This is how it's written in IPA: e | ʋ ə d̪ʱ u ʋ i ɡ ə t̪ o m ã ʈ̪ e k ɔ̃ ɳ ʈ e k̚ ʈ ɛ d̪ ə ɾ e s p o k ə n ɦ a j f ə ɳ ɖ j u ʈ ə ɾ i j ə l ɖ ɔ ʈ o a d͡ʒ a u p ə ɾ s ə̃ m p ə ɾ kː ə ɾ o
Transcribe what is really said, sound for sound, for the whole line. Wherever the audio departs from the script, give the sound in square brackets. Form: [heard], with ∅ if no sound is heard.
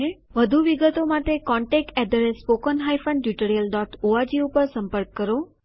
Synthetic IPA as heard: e | ʋ ə d̪ʱ u ʋ i ɡ ə t̪ o m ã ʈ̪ e k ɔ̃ ɳ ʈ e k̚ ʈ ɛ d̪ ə ɾ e s p o k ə n ɦ a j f ə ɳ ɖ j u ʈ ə ɾ i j ə l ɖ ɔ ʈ o a d͡ʒ [i] u p ə ɾ s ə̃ m p ə ɾ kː ə ɾ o